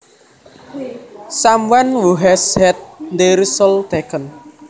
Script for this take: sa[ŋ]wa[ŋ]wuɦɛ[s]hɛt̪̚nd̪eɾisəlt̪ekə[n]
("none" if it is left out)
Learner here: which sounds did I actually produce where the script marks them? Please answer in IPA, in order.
m, n, s, n

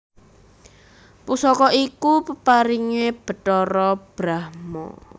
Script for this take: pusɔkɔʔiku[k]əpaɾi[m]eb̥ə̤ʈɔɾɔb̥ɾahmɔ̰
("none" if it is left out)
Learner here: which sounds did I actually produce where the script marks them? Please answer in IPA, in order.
p, ŋ

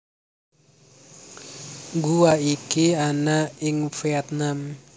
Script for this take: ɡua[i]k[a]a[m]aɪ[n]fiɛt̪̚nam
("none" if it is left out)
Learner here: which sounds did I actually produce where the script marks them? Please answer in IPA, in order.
i, i, n, ŋ

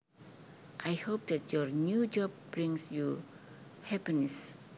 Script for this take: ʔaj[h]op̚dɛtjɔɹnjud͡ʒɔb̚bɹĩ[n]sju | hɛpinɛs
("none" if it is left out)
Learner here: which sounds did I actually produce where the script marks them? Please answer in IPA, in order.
h, ŋ

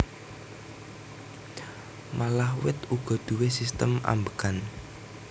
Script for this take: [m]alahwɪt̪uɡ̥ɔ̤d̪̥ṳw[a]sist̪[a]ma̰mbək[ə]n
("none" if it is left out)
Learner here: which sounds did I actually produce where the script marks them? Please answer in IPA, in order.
m, e, ə, a

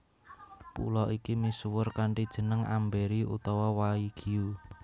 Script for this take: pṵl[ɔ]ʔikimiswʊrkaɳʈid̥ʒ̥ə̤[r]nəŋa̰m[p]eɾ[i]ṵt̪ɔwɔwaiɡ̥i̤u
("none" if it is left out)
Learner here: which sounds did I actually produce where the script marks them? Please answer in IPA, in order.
ɔ, none, b, i

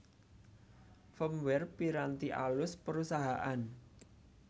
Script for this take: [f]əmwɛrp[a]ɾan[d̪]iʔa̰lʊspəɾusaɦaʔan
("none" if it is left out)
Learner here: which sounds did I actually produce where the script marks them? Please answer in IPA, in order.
f, i, t̪

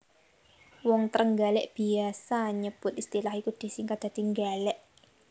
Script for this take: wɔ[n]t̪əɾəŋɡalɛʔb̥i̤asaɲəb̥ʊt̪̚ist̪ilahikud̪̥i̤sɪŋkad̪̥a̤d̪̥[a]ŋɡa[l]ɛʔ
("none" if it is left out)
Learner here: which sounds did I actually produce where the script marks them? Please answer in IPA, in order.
ŋ, i, l

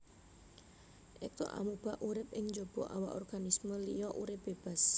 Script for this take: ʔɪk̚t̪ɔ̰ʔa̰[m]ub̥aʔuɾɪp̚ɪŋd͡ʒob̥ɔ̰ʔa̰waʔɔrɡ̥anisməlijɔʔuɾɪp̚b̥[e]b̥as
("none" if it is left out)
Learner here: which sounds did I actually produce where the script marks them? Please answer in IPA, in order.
m, e

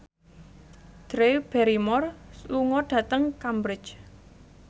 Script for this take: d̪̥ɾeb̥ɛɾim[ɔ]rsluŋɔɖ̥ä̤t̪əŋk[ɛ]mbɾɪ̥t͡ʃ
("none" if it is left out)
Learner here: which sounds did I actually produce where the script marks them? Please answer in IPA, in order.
ɔ, a

